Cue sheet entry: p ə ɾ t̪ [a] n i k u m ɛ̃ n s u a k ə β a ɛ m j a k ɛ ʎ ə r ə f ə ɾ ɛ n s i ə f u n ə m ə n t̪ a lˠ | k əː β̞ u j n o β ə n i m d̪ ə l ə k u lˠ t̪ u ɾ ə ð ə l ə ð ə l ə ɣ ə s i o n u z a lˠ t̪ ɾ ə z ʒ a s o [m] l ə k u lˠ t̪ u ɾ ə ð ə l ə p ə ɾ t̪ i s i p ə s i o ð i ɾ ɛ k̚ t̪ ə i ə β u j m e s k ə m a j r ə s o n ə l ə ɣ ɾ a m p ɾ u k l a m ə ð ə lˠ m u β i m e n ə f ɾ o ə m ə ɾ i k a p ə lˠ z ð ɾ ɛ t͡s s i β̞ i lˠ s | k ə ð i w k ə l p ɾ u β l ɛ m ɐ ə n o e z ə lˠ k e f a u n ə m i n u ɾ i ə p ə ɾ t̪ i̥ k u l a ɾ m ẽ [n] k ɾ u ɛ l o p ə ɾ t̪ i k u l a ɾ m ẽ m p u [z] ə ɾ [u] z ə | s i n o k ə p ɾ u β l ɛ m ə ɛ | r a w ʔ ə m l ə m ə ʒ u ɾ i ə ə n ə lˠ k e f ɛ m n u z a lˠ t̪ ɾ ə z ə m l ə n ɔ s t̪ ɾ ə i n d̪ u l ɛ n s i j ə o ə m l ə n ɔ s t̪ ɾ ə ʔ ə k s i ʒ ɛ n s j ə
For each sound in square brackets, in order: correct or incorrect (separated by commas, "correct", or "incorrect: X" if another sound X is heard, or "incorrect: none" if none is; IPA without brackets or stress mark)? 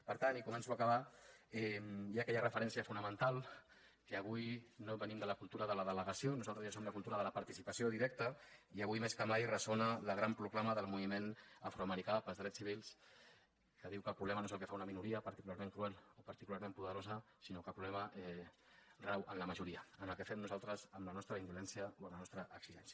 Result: correct, correct, incorrect: ŋ, incorrect: ð, incorrect: o